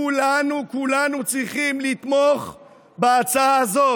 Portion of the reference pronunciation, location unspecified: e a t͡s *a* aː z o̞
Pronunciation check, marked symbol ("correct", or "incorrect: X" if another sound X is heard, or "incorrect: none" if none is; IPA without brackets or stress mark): correct